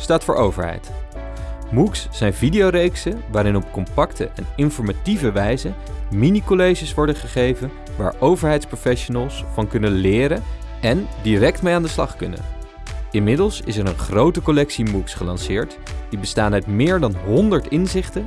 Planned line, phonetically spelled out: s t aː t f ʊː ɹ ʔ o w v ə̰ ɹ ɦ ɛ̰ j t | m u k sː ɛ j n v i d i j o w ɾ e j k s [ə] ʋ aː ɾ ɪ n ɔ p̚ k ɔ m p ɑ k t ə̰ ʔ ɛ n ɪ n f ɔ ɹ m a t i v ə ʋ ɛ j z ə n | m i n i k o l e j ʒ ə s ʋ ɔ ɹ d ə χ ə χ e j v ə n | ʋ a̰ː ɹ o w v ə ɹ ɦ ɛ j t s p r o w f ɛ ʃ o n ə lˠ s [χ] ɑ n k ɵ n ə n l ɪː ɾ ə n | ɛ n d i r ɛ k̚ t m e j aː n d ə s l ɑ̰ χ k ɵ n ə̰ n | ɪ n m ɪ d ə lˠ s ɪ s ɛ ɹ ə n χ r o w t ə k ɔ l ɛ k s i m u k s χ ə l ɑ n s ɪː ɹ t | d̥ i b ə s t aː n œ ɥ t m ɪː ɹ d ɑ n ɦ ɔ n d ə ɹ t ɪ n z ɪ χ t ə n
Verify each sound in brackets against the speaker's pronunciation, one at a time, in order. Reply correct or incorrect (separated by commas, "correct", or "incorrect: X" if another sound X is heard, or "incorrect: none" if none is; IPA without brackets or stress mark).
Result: correct, incorrect: f